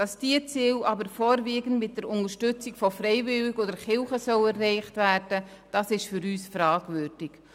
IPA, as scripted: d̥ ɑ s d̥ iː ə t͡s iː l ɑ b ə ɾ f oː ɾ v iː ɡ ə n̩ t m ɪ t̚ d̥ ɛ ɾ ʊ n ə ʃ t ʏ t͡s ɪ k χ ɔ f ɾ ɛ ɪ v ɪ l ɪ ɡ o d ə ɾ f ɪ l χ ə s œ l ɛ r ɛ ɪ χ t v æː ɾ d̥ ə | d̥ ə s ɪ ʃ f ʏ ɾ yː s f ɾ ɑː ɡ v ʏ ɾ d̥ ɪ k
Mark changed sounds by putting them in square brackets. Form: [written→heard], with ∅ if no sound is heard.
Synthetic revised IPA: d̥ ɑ s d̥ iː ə t͡s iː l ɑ b ə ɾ f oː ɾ v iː ɡ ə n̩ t m ɪ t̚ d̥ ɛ ɾ ʊ n ə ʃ t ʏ t͡s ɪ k [χ→f] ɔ f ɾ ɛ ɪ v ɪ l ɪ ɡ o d ə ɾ [f→χ] ɪ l χ ə s œ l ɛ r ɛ ɪ χ t v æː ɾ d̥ ə | d̥ [ə→ɑ] s ɪ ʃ f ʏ ɾ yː s f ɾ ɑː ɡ v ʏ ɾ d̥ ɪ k